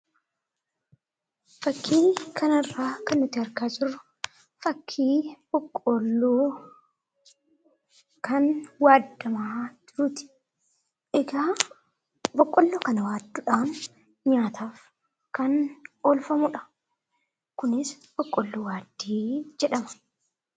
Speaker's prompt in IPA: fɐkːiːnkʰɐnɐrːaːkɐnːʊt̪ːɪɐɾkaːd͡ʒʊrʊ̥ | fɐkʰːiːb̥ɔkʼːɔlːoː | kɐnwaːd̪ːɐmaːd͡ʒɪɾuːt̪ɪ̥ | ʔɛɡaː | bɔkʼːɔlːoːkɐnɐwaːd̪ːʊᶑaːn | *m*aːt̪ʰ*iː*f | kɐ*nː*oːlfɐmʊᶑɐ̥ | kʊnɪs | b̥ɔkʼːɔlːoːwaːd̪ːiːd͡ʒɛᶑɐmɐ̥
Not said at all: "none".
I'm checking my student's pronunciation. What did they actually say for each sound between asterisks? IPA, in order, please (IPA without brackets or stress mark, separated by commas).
ɲ, aː, n